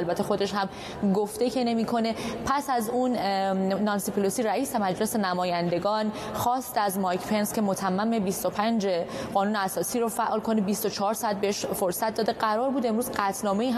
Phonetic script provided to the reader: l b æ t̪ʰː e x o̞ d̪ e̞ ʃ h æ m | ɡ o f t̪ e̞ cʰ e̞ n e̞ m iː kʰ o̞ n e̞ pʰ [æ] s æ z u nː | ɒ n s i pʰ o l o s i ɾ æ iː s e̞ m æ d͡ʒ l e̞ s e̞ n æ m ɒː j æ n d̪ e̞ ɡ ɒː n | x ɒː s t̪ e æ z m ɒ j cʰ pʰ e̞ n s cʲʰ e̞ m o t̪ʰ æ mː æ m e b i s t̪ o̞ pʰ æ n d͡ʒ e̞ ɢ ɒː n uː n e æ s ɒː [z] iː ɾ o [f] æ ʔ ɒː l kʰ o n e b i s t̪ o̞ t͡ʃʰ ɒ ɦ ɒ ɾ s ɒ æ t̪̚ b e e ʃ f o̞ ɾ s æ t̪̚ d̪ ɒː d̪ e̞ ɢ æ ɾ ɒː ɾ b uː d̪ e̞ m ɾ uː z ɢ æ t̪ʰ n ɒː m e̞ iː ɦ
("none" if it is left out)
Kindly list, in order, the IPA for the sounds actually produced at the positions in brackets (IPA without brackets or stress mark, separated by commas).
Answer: æ, s, f